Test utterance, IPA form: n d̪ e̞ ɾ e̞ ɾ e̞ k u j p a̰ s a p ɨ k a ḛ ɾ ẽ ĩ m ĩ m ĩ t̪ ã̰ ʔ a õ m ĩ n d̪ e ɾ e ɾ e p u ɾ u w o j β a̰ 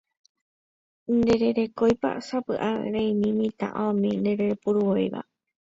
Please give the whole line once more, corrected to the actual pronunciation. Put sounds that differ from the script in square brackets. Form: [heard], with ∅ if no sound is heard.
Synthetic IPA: n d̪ e̞ ɾ e̞ ɾ e̞ k [o] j p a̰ s a p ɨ [ʔ] a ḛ ɾ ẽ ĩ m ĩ m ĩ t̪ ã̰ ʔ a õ m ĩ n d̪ e ɾ e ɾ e p u ɾ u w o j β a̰